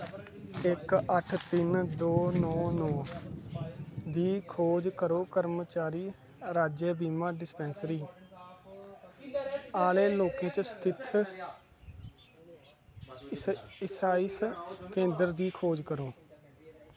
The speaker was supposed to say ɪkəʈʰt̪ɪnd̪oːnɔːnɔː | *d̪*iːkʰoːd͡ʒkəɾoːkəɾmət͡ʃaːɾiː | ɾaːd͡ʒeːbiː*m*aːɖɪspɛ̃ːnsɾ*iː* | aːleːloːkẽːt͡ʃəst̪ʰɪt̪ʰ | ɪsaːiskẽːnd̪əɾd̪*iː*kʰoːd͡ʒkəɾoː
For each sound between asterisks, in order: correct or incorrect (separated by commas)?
correct, correct, correct, correct